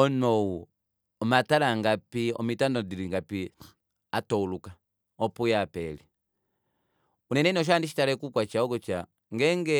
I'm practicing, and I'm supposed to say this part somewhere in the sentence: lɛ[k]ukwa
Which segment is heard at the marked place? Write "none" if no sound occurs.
k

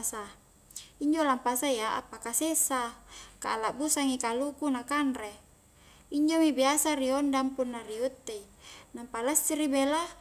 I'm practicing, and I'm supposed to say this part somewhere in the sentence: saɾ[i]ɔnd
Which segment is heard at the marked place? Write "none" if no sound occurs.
i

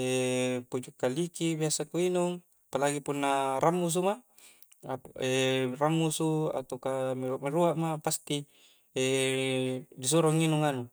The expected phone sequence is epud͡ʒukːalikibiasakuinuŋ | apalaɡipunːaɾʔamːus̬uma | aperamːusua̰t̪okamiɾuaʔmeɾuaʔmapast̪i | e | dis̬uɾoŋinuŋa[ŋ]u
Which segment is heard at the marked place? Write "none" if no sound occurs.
n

